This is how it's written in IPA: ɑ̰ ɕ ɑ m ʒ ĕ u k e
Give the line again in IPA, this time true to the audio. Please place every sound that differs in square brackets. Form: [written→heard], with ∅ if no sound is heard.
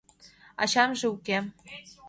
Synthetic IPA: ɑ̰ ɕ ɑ m ʒ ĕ u k e